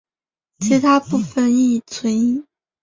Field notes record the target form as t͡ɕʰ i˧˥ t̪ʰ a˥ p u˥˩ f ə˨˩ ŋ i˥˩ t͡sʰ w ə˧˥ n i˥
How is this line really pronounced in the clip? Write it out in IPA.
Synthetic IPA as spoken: t͡ɕʰ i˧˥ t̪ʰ a˥ p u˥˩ f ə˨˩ n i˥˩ t͡sʰ w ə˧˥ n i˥

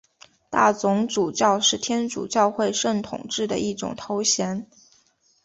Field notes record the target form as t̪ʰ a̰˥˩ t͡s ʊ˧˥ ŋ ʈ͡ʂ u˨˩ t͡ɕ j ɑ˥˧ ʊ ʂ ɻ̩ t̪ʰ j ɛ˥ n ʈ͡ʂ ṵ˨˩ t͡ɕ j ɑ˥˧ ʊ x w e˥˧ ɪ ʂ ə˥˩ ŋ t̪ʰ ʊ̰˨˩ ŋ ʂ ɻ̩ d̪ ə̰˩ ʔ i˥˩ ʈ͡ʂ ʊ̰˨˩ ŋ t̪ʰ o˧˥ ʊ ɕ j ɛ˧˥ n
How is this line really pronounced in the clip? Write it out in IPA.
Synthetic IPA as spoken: t̪ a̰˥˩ t͡s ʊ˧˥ ŋ ʈ͡ʂ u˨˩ t͡ɕ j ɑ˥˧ ʊ ʂ ɻ̩ t̪ʰ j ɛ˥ n ʈ͡ʂ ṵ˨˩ t͡ɕ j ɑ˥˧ ʊ x w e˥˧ ɪ ʂ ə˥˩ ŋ t̪ʰ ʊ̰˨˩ ŋ ʈ͡ʂ ɻ̩ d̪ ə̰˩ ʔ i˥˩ ʈ͡ʂ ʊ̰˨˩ ŋ t̪ʰ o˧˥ ʊ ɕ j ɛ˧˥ n

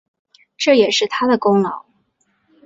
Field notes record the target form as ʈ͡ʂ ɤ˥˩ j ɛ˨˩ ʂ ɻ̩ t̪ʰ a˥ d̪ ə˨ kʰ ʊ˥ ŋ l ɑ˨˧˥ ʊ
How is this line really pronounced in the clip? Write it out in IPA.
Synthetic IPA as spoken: ʈ͡ʂ ɤ˥˩ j ɛ˨˩ ʂ ɻ̩ t̪ʰ a˥ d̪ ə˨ k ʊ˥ ŋ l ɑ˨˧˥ ʊ

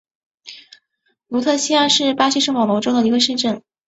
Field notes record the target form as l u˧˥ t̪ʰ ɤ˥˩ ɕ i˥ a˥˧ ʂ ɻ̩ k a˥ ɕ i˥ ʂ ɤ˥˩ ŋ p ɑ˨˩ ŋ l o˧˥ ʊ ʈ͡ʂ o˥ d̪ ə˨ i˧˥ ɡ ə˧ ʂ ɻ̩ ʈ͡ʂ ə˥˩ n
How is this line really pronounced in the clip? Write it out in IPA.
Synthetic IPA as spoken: l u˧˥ t̪ʰ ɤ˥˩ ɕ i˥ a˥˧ ʂ ɻ̩ p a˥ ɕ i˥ ʂ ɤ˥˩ ŋ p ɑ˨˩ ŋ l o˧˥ ʊ ʈ͡ʂ o˥ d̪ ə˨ i˧˥ ɡ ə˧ ʂ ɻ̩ ʈ͡ʂ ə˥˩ n

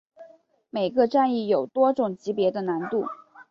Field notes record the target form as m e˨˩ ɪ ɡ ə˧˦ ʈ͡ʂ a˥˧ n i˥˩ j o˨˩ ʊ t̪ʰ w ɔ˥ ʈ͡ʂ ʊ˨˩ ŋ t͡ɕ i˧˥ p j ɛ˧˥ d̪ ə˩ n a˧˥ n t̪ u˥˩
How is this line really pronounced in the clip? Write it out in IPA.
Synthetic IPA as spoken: m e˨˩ ɪ ɡ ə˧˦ ʈ͡ʂ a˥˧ n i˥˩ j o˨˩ ʊ t̪ w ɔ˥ ʈ͡ʂ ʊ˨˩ ŋ t͡ɕ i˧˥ p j ɛ˧˥ d̪ ə˧ n a˧˥ n t̪ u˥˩

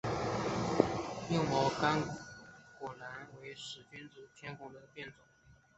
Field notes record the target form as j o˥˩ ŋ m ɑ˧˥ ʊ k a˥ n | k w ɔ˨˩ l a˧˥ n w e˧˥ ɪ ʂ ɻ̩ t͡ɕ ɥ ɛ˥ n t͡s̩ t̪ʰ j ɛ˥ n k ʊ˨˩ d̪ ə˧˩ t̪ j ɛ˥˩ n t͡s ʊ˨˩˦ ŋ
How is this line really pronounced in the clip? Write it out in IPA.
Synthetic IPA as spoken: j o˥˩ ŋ m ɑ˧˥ ʊ k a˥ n | k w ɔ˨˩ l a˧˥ n w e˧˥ ɪ ʂ ɻ̩ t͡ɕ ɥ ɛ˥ n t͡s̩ t̪ʰ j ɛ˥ n k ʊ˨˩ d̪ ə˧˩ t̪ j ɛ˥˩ n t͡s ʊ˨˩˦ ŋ

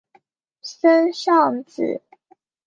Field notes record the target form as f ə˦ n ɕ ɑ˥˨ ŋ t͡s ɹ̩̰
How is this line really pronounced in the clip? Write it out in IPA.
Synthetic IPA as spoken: s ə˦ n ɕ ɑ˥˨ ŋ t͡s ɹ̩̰

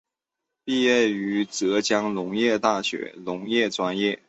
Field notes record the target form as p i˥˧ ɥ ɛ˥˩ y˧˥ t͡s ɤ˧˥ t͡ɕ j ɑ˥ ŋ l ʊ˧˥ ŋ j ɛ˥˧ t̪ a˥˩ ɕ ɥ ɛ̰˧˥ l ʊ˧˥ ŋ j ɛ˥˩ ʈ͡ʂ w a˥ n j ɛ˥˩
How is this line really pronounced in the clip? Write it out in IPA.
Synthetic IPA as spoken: p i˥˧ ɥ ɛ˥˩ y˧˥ t͡s ɤ˧˥ t͡ɕ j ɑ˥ ŋ l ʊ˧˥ ŋ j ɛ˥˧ t̪ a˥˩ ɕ ɥ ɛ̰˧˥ l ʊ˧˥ ŋ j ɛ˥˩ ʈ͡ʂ w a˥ n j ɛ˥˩

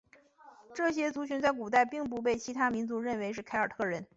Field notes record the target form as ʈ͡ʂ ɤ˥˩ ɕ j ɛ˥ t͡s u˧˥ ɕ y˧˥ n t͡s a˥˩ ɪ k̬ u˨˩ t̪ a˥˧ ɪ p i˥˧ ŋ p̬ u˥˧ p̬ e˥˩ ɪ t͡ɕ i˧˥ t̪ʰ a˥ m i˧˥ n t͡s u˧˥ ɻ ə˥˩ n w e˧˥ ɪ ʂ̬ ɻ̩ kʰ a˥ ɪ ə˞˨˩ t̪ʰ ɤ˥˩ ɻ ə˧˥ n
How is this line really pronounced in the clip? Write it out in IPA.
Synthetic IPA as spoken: ʈ͡ʂ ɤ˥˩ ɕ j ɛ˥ t͡s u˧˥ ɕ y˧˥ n t͡s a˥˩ ɪ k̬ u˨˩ t̪ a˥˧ ɪ p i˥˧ ŋ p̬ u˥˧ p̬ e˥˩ ɪ t͡ɕʰ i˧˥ t̪ʰ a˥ m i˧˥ n t͡s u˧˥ ɻ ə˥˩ n w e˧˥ ɪ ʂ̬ ɻ̩ kʰ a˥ ɪ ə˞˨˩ t̪ʰ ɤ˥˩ ɻ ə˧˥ n

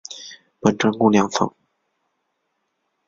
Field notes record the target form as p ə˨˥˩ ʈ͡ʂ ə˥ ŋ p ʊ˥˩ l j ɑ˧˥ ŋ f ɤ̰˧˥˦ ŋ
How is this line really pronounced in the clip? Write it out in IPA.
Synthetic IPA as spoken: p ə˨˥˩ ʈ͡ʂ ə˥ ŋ k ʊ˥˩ l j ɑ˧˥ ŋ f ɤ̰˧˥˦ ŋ

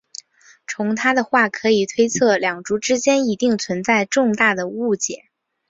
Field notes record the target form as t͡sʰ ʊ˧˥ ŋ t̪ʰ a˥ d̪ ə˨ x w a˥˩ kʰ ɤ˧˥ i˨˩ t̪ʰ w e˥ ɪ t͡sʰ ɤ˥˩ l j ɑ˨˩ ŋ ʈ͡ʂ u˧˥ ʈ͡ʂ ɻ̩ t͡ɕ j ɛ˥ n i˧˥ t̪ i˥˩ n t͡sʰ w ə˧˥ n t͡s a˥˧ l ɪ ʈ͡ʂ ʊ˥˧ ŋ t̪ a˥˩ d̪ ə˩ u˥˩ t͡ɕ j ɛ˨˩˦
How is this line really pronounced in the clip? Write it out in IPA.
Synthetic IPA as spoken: t͡sʰ ʊ˧˥ ŋ t̪ʰ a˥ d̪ ə˨ x w a˥˩ kʰ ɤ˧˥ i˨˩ t̪ʰ w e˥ ɪ t͡sʰ ɤ˥˩ l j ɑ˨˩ ŋ ʈ͡ʂ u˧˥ ʈ͡ʂ ɻ̩ t͡ɕ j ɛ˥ n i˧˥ t̪ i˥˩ ŋ t͡sʰ w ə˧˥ n t͡s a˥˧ ɪ ʈ͡ʂ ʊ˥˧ ŋ t̪ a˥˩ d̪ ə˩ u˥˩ t͡ɕ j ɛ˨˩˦

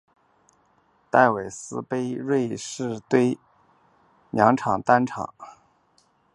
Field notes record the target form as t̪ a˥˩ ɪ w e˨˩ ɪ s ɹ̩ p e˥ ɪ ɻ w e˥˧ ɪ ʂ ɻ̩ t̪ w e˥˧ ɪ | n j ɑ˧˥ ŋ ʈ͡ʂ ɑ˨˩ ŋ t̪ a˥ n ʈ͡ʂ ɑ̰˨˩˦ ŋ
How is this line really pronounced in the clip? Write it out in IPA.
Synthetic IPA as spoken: t̪ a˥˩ ɪ w e˨˩ ɪ s ɹ̩ p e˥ ɪ ɻ w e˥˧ ɪ ʂ ɻ̩ t̪ w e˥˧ ɪ | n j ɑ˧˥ ŋ ʈ͡ʂʰ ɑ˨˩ ŋ t̪ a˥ n ʈ͡ʂʰ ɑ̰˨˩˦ ŋ

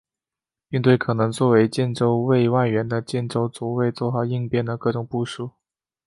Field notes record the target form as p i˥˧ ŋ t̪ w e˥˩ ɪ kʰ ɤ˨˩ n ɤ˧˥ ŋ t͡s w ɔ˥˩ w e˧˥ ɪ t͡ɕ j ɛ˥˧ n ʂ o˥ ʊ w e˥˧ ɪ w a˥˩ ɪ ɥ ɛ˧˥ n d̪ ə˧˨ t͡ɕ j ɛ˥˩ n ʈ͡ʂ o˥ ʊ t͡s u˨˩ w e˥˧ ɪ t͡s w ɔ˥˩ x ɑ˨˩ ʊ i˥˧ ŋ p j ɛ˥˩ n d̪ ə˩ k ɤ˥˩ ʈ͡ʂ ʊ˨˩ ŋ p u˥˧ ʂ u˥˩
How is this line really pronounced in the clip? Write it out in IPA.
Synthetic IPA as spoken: p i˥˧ ŋ t̪ w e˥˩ ɪ kʰ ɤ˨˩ n ɤ˧˥ ŋ t͡s w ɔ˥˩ w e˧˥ ɪ t͡ɕ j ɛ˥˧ n ʈ͡ʂ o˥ ʊ w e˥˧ ɪ w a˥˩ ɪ ɥ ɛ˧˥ n d̪ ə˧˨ t͡ɕ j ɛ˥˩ n ʈ͡ʂ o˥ ʊ t͡s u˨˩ w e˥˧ ɪ t͡s w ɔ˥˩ x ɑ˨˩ ʊ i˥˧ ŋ p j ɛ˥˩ n d̪ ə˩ k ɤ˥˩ ʈ͡ʂ ʊ˨˩ ŋ p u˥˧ ʂ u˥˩

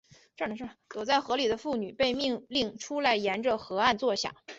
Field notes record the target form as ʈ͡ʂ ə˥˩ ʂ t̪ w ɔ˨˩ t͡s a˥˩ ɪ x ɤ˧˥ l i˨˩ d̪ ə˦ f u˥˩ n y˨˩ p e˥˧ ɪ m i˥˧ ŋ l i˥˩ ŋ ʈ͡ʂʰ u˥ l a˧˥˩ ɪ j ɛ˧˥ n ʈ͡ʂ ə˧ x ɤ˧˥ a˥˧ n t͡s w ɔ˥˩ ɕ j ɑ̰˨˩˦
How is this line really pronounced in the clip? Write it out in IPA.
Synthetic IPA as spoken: ʈ͡ʂ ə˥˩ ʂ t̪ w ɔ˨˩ t͡s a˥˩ ɪ x ɤ˧˥ l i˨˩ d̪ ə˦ f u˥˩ n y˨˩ p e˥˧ ɪ m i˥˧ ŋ l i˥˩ ŋ ʈ͡ʂʰ u˥ l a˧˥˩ ɪ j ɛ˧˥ n ʈ͡ʂ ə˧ x ɤ˧˥ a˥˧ n t͡s w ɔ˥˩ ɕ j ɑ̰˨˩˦

